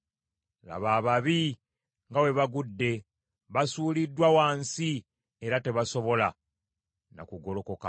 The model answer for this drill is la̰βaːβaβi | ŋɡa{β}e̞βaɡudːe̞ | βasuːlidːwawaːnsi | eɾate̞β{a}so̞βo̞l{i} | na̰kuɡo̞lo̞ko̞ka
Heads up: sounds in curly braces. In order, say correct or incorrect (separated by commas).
incorrect, correct, incorrect